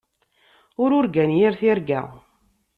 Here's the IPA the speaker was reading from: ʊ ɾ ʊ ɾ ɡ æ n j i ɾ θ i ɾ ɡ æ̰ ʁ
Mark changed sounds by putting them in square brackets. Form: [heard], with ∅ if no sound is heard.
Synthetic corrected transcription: ʊ ɾ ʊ ɾ ɡ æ n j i ɾ θ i ɾ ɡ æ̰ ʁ